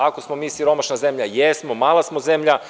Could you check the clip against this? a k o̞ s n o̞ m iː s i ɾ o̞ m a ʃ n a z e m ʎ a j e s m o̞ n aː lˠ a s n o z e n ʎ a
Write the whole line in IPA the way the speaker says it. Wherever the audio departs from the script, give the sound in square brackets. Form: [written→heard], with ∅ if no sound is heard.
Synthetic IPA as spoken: a k o̞ s [n→m] o̞ m iː s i ɾ o̞ m a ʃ n a z e m ʎ a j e s m o̞ [n→m] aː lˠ a s [n→m] o z e [n→m] ʎ a